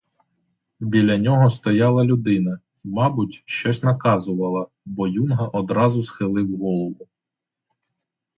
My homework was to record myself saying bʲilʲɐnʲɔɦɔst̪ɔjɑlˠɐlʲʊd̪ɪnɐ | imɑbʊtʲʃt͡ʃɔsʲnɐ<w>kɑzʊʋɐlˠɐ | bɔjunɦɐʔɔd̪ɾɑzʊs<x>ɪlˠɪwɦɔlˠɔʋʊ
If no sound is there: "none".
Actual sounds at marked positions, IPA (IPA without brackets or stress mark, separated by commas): none, x